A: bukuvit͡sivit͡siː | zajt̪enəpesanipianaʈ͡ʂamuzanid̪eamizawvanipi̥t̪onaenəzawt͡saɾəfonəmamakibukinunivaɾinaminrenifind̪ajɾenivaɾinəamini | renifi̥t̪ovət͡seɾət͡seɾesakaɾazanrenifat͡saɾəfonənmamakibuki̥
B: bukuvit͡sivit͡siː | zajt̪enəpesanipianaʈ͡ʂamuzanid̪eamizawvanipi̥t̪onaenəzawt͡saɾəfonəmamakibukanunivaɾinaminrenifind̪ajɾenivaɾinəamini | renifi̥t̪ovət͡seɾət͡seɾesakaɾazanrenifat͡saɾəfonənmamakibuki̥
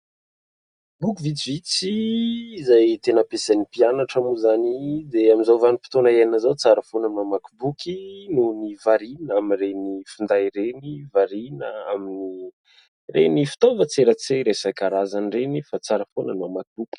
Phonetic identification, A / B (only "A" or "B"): A